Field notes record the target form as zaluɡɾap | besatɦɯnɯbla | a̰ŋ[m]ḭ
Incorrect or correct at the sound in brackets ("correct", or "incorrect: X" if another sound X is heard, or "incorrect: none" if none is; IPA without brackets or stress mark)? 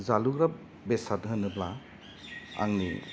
incorrect: n